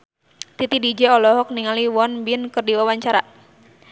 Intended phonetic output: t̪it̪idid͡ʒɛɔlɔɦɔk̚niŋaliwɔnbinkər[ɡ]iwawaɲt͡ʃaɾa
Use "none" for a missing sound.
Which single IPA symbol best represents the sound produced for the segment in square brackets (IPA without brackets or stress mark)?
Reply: d